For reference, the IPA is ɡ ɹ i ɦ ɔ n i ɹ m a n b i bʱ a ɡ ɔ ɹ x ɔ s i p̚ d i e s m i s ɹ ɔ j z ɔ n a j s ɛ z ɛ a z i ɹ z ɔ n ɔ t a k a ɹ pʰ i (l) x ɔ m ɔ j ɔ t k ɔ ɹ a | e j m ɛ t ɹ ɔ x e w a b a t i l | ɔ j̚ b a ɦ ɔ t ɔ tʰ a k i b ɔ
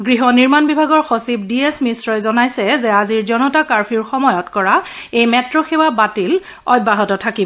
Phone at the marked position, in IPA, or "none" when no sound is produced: ɹ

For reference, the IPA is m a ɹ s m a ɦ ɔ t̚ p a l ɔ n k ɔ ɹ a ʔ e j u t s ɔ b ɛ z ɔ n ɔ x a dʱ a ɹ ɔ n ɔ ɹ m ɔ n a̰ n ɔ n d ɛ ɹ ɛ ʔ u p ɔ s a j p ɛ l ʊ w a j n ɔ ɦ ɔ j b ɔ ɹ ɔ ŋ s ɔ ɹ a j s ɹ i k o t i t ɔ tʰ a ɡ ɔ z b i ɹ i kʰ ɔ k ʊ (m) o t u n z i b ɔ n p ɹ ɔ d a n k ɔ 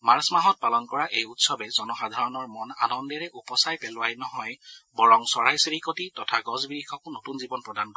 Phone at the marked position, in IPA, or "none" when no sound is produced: n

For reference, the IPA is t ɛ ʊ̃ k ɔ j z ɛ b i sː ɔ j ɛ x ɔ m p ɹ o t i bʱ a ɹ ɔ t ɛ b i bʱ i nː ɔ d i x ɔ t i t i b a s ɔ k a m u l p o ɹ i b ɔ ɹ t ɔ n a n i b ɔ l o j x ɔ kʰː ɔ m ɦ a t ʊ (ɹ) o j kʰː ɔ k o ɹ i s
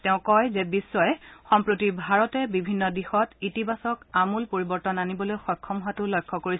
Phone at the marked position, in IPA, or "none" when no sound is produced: l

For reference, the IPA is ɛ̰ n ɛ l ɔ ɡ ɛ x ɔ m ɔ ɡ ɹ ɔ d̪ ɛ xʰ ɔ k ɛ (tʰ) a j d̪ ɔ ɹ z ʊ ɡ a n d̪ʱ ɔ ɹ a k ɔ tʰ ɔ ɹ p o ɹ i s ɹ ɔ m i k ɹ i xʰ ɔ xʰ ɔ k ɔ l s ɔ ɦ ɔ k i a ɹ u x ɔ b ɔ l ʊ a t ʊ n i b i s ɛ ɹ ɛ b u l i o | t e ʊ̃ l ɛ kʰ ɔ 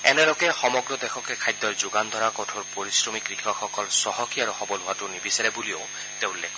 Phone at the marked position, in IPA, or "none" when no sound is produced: kʰ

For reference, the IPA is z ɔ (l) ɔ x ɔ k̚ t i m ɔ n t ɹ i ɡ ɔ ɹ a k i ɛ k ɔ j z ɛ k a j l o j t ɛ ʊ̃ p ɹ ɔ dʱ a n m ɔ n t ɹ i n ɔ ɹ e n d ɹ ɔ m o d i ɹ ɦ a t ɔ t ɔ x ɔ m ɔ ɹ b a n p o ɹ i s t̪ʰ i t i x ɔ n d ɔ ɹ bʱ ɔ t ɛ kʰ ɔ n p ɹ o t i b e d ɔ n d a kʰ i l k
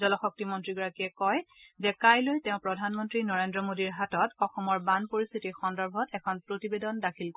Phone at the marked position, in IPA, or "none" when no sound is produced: l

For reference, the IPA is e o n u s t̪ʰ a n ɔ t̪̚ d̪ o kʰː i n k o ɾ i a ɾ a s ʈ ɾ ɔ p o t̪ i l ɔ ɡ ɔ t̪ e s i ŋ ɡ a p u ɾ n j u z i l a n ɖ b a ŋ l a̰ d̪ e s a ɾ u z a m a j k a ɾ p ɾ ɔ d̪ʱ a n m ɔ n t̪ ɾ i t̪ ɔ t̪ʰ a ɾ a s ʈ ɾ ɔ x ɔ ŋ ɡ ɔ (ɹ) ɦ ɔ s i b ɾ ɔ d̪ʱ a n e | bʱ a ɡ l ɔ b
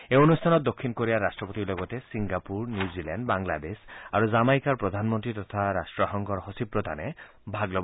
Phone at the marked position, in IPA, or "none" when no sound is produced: ɾ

